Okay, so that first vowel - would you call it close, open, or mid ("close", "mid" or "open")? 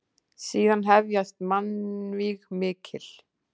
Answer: close